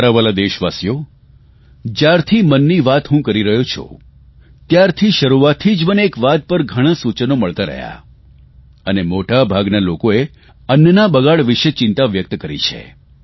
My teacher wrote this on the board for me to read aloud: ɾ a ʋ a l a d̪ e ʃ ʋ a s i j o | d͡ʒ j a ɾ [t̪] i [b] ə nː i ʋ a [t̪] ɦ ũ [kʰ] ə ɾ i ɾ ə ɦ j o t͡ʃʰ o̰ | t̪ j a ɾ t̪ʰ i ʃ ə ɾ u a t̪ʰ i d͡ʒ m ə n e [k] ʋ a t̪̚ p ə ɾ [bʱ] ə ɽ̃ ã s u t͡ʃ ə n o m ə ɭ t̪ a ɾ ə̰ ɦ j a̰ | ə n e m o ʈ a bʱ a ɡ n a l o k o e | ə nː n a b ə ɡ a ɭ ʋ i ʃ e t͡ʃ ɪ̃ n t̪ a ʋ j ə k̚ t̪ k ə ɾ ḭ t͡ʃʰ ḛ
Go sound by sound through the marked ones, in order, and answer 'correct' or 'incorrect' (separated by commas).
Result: incorrect, incorrect, correct, incorrect, correct, incorrect